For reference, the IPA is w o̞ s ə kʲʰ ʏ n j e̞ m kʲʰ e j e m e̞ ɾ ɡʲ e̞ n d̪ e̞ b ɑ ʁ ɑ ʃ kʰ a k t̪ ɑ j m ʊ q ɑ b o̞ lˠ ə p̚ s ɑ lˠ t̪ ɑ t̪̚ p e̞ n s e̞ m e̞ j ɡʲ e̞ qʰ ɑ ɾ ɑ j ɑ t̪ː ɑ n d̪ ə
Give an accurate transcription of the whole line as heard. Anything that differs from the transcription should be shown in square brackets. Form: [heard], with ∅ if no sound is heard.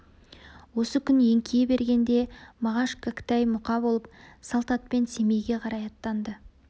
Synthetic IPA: w o̞ s ə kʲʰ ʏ n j e̞ [ŋ] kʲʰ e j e [b] e̞ ɾ ɡʲ e̞ n d̪ e̞ [m] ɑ ʁ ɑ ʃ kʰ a k t̪ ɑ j m ʊ q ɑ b o̞ lˠ ə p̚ s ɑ lˠ t̪ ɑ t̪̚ p e̞ n s e̞ m e̞ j ɡʲ e̞ qʰ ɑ ɾ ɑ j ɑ t̪ː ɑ n d̪ ə

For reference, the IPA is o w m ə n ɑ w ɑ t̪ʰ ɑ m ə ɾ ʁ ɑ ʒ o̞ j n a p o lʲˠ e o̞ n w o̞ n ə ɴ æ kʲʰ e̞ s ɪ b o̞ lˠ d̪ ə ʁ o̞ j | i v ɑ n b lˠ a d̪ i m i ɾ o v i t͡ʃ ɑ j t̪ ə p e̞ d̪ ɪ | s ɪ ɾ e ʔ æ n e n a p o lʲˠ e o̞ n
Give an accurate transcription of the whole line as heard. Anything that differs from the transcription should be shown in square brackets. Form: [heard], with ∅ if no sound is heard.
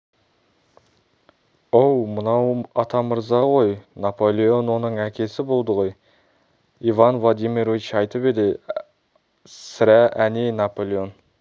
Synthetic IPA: o w m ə n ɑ w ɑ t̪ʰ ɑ m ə ɾ [z] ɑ [ʁ] o̞ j n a p o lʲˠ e o̞ n w o̞ n ə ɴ æ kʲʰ e̞ s ɪ b o̞ lˠ d̪ ə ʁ o̞ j | i v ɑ n [v] lˠ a d̪ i m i ɾ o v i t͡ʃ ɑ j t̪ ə p e̞ d̪ ɪ | s ɪ ɾ [æ] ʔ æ n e n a p o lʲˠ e o̞ n

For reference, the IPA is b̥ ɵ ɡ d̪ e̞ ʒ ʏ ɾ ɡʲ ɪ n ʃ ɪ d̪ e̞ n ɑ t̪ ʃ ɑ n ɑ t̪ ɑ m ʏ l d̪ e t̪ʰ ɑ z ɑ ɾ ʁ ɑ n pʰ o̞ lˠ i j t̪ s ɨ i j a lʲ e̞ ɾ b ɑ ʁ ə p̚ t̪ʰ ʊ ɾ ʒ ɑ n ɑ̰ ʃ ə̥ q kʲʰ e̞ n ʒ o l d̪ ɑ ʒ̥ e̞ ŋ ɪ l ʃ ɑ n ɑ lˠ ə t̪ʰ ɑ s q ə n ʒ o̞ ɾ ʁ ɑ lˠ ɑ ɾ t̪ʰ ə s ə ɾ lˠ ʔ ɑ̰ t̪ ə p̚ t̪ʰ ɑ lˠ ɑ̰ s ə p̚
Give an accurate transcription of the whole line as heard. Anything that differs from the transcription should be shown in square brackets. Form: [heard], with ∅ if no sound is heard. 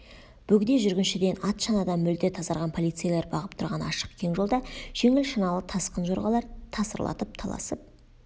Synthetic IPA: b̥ ɵ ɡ d̪ e̞ ʒ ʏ ɾ ɡʲ ɪ n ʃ ɪ d̪ e̞ n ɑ t̪ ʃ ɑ n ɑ [d̪] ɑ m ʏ l d̪ e t̪ʰ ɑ z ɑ ɾ ʁ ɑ n pʰ o̞ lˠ i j t̪ s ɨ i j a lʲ e̞ ɾ b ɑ ʁ ə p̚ t̪ʰ ʊ ɾ [ʁ] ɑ n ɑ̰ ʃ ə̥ q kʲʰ e̞ [ŋ] ʒ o l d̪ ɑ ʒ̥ e̞ ŋ ɪ l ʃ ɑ n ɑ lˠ ə t̪ʰ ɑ s q ə n ʒ o̞ ɾ ʁ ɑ lˠ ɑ ɾ t̪ʰ [ɑ] s ə ɾ lˠ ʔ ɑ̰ t̪ ə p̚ t̪ʰ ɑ lˠ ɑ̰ s ə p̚

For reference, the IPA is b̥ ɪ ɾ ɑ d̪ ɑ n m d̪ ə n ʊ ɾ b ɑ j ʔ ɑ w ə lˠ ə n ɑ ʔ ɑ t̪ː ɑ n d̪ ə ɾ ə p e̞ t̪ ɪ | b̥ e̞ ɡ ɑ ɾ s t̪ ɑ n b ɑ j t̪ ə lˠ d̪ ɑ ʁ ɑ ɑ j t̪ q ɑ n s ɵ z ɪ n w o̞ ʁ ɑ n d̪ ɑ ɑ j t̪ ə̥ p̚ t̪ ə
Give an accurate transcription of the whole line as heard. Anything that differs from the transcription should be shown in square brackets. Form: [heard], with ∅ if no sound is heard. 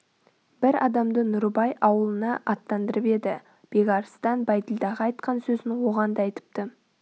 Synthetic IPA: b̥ ɪ ɾ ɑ d̪ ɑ [∅] m d̪ ə n ʊ ɾ b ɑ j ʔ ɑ w ə lˠ ə n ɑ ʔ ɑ t̪ː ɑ n d̪ ə ɾ ə p e̞ [d̪] ɪ | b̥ e̞ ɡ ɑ ɾ s t̪ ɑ n b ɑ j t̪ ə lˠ d̪ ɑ ʁ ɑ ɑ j t̪ q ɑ n s ɵ z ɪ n w o̞ ʁ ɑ n d̪ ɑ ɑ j t̪ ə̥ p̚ t̪ ə

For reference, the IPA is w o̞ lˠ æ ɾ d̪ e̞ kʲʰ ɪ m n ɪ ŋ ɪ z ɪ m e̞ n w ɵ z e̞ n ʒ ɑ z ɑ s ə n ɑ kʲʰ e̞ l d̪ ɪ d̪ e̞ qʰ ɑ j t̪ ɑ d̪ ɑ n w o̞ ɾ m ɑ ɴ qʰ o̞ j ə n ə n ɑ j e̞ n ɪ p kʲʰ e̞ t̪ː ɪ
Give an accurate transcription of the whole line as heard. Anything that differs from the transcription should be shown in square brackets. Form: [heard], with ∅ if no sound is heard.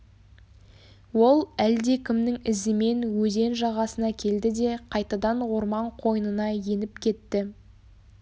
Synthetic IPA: w o̞ lˠ æ [l] d̪ e̞ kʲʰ ɪ m n ɪ ŋ ɪ z ɪ m e̞ n w ɵ z e̞ n ʒ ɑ [ʁ] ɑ s ə n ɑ kʲʰ e̞ l d̪ ɪ d̪ e̞ qʰ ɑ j t̪ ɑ d̪ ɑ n w o̞ ɾ m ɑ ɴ qʰ o̞ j ə n ə n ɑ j e̞ n ɪ p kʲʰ e̞ t̪ː ɪ

